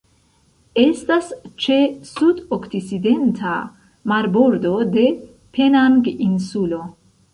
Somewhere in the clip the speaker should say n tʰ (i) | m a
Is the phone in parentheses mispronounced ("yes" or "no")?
yes